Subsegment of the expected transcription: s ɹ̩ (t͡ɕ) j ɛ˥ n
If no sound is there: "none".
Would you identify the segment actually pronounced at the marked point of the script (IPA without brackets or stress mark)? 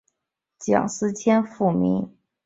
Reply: t͡ɕʰ